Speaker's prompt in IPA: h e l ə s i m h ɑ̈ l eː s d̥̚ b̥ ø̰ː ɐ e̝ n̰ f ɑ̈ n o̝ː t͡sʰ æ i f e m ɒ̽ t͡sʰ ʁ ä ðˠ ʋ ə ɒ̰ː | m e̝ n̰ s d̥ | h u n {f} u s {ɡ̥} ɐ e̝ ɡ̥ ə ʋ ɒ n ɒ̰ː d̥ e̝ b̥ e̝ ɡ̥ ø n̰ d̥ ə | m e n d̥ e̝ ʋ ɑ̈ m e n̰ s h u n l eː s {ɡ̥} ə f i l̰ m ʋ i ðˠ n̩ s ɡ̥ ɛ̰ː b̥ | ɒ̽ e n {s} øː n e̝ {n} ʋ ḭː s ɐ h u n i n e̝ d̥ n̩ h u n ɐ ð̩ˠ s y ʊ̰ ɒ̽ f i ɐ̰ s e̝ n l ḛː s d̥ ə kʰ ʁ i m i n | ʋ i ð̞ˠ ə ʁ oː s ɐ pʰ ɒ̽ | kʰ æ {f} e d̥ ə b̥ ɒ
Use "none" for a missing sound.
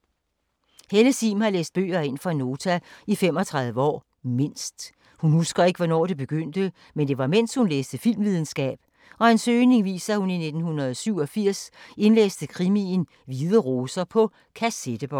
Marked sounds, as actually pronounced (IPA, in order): h, ɡ̥, d̥, s, ŋ, s

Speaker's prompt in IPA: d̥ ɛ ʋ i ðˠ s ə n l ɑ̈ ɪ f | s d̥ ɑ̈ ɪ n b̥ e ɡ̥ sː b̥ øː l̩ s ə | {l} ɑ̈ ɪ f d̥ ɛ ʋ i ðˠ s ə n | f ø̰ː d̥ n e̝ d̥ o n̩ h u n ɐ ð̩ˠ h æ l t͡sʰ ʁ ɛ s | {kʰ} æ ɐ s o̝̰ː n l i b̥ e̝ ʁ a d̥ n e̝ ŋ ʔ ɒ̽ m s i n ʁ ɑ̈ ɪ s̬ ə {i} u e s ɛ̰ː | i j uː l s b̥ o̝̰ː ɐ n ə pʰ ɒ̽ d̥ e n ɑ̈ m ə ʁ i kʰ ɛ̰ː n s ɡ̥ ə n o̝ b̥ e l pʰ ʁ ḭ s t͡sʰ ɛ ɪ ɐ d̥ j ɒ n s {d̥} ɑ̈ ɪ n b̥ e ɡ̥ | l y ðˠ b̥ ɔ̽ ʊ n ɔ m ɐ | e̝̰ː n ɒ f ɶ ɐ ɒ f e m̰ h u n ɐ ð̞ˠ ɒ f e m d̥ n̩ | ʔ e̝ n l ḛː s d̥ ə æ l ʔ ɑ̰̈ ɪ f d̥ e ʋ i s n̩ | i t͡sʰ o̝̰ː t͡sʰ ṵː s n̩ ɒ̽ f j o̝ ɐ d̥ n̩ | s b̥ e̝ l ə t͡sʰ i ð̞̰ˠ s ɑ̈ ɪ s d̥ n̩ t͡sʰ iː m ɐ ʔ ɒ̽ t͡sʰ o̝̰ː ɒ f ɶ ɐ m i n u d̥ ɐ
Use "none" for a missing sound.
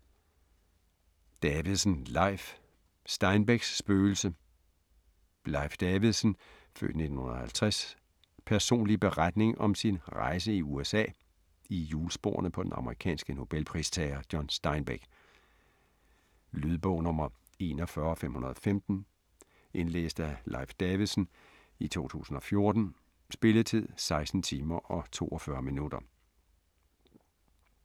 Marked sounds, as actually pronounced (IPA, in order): l, pʰ, i, d̥

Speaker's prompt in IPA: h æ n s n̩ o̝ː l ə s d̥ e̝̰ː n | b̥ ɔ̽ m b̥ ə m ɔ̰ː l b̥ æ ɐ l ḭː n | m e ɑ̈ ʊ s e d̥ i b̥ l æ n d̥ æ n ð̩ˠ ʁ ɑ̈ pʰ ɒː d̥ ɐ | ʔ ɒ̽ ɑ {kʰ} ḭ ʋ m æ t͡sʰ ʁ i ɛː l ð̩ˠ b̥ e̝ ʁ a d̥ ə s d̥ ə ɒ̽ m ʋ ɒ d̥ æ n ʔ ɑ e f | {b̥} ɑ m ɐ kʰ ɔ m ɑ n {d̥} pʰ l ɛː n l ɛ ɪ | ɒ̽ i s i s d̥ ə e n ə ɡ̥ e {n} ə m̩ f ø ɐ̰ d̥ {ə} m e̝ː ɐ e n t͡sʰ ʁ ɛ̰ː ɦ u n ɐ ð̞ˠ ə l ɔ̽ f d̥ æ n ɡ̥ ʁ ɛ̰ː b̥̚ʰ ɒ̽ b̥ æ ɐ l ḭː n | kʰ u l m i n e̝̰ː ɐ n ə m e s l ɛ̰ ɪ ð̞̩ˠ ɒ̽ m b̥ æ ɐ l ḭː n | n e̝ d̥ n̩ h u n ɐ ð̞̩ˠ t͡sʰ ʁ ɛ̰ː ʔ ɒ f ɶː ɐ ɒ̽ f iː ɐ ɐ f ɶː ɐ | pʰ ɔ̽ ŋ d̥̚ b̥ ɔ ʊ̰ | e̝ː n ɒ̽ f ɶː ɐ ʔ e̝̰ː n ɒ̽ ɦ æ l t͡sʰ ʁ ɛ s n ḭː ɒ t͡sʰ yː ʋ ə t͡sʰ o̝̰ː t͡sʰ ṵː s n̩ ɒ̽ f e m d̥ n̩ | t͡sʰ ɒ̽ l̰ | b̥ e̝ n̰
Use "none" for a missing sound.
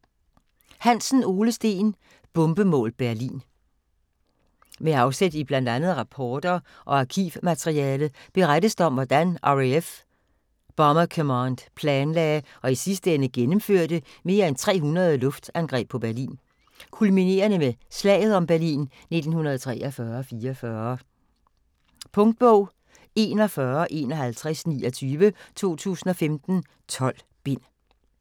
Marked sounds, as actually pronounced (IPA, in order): kʰ, b̥, d̥, n, ə

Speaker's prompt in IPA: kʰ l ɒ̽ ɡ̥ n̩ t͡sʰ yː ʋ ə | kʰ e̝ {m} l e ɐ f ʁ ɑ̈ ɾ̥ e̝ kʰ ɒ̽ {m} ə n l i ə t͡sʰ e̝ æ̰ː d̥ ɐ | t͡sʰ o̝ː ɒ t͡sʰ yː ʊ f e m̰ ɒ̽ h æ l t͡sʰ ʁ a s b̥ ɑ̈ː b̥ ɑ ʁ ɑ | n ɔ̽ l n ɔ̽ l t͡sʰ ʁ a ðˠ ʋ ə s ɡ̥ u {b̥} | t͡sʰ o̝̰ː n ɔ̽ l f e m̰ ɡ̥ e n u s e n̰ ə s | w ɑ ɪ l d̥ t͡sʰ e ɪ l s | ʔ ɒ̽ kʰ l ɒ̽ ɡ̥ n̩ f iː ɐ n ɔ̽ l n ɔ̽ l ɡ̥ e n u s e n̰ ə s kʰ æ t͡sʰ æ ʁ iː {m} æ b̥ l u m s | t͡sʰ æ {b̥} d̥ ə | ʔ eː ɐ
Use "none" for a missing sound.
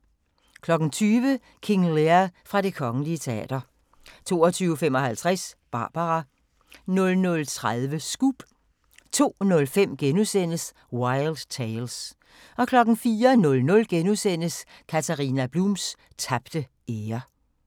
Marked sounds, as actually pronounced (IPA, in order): ŋ, ŋ, b̥, n, b̥

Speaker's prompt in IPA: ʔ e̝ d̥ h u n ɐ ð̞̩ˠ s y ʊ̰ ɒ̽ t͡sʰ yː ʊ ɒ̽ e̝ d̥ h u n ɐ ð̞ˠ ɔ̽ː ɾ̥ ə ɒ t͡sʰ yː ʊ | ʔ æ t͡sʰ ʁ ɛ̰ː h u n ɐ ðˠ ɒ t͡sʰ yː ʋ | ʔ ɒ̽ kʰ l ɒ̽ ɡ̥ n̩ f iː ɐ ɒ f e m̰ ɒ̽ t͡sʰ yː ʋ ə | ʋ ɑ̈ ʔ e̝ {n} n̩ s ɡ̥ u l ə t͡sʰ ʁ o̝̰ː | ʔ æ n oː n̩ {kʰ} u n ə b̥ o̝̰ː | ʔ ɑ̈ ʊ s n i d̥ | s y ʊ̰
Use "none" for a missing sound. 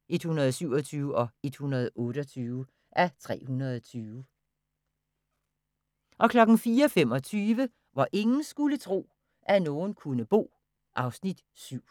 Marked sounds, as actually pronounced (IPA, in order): ŋ, kʰ

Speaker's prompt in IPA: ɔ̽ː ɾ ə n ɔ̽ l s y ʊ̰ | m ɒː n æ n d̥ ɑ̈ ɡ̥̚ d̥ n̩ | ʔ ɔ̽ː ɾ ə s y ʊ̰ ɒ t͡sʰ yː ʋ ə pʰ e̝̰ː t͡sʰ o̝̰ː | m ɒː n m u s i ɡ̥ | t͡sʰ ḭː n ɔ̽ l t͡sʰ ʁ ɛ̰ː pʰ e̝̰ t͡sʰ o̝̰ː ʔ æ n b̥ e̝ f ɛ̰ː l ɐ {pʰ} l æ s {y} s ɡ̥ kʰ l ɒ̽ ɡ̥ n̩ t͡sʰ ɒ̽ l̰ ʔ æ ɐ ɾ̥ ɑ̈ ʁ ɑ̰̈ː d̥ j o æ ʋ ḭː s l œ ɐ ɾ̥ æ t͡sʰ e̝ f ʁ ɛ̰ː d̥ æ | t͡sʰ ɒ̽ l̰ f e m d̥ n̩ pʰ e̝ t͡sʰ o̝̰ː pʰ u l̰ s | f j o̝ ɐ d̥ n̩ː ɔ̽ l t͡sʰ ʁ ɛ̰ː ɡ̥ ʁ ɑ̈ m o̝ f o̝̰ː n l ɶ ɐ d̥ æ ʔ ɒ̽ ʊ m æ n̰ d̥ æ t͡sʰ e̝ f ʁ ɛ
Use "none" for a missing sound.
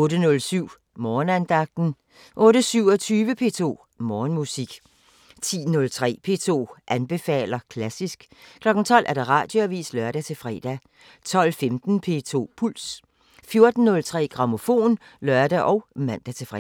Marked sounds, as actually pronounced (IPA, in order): kʰ, i

